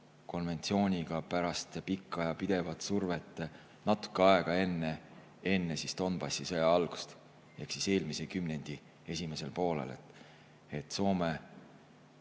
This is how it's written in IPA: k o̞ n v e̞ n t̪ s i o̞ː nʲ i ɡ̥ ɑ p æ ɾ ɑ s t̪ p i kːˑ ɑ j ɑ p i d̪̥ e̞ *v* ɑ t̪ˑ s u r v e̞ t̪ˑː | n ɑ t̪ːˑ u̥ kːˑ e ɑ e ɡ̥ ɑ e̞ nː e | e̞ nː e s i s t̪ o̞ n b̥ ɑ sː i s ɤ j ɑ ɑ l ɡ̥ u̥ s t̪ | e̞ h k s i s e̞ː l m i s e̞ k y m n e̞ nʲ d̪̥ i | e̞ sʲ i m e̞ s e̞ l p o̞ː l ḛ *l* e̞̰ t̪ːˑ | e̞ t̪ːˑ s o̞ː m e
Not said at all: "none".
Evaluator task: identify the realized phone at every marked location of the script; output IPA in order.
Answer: v, l

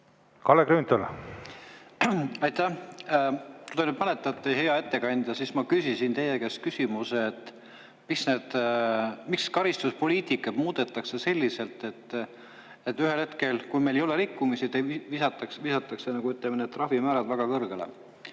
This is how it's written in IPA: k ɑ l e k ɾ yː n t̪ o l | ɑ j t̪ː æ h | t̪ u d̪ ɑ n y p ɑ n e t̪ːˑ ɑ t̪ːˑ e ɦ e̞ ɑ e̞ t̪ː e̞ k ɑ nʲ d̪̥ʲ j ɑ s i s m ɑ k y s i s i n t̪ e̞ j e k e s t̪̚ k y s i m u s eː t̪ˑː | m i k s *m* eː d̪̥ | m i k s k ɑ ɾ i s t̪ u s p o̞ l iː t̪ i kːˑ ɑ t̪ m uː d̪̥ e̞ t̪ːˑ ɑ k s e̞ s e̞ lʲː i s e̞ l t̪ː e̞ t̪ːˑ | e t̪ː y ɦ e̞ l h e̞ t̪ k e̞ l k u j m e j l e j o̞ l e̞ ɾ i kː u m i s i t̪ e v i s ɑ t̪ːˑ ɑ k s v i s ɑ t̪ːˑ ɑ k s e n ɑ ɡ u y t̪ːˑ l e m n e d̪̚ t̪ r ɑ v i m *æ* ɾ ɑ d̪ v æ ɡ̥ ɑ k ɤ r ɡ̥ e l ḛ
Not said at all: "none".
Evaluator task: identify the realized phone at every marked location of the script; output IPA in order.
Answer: n, æː

